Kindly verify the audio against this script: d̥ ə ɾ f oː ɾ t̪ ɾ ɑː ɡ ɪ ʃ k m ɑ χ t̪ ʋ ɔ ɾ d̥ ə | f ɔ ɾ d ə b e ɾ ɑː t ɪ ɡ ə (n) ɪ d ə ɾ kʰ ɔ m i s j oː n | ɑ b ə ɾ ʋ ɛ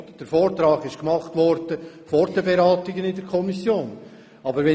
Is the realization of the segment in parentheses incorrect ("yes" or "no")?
no